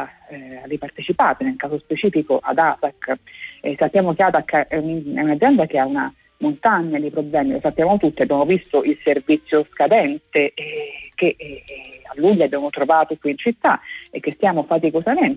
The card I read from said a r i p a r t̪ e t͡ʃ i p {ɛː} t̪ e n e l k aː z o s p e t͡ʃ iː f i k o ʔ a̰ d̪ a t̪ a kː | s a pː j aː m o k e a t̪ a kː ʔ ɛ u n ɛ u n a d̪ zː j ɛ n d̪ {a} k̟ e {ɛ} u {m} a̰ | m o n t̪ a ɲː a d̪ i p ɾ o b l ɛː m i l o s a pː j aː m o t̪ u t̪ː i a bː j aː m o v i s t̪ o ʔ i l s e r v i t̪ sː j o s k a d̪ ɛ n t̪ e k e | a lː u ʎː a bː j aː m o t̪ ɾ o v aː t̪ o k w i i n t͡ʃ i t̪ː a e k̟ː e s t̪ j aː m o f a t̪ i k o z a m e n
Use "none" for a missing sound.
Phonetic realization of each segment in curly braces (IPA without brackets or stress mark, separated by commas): aː, a, a, n